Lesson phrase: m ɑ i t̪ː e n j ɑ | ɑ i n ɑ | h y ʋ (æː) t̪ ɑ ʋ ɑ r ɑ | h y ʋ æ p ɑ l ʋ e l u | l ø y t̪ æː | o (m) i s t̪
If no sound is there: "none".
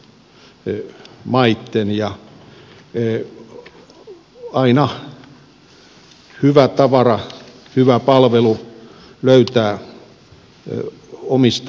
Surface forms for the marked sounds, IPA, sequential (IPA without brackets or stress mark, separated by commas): æ, m